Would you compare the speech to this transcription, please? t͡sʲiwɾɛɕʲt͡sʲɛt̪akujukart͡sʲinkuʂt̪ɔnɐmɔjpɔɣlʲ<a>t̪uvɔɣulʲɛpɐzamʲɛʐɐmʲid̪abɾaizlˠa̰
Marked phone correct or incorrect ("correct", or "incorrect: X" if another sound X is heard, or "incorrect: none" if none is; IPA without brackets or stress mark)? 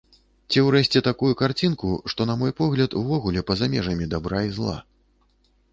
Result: incorrect: ɐ